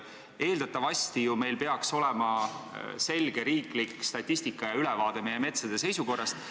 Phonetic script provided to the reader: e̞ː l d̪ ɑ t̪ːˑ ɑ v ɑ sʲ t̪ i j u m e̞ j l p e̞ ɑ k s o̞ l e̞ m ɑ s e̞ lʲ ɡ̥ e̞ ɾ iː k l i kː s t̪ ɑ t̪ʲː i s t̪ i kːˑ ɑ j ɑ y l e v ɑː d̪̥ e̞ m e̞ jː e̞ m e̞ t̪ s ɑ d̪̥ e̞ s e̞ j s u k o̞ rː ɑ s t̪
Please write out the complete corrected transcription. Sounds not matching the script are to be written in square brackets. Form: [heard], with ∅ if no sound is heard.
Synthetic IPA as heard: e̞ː l d̪ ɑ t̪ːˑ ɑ v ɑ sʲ t̪ i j u m e̞ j l p e̞ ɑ k s o̞ l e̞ m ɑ s e̞ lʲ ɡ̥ e̞ ɾ iː k l i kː s t̪ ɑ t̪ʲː i s t̪ i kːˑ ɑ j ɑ y l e v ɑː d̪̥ e̞ m e̞ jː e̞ m e̞ t̪ s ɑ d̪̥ e̞ s e̞ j s u k o̞ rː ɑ s t̪